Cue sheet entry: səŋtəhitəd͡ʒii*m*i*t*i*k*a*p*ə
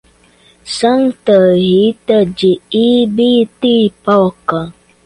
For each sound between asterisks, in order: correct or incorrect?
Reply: incorrect: b, correct, incorrect: p, incorrect: k

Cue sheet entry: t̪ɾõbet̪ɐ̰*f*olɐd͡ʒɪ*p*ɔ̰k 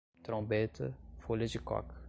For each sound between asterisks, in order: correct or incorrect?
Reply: correct, incorrect: k

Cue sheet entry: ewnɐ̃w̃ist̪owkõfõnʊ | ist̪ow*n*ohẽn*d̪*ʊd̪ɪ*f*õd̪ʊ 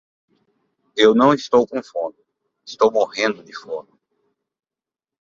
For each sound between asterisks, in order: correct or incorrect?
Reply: incorrect: m, correct, correct

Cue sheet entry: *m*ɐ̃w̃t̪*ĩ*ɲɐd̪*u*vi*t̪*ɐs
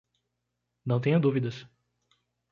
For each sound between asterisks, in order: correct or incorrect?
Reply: incorrect: n, incorrect: ẽ, correct, incorrect: d̪

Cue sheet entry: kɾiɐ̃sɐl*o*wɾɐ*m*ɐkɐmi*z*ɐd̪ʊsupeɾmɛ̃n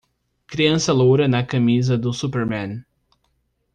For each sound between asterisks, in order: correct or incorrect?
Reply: correct, incorrect: n, correct

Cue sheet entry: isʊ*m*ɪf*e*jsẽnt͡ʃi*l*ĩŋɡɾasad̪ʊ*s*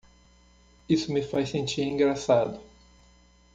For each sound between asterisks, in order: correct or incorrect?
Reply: correct, incorrect: a, incorrect: ɾ, incorrect: none

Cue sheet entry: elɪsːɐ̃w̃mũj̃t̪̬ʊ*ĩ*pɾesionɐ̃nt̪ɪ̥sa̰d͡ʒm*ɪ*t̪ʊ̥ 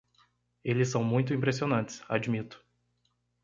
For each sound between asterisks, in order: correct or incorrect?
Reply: correct, incorrect: i

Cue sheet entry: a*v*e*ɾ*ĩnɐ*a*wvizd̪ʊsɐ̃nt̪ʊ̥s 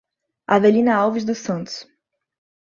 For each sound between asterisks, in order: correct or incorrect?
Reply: correct, incorrect: l, correct

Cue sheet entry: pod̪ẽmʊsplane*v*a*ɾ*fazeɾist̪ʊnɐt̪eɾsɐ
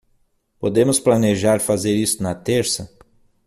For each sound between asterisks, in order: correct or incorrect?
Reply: incorrect: ʒ, correct

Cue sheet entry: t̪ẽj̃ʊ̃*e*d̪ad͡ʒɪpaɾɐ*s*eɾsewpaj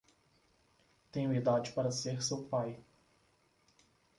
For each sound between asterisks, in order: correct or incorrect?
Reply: incorrect: i, correct

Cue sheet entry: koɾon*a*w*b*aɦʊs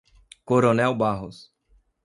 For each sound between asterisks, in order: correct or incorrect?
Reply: incorrect: ɛ, correct

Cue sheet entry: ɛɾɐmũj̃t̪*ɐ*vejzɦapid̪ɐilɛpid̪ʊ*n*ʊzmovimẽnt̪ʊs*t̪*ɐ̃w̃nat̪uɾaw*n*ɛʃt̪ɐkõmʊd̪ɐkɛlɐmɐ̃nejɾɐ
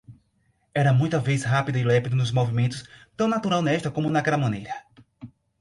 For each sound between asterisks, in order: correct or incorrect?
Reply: correct, correct, correct, correct

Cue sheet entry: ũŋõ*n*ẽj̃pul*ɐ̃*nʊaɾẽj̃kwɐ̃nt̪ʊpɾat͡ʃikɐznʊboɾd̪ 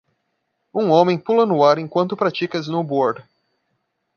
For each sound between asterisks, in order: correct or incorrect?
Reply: incorrect: m, incorrect: ɐ

